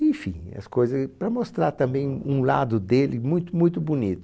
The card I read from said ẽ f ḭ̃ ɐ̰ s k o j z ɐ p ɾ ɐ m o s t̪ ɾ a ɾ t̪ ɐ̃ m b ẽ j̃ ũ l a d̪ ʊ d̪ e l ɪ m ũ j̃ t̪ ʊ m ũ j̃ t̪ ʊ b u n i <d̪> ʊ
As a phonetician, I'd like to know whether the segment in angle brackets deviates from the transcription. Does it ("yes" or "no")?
yes